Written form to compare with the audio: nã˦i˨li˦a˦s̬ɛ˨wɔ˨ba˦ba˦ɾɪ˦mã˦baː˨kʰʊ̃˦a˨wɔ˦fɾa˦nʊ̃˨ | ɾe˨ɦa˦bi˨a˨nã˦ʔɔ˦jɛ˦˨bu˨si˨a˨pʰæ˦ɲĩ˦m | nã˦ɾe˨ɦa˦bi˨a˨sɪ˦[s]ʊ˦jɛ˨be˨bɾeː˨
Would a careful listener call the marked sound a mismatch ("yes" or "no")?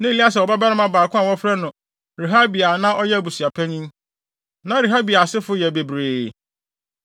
yes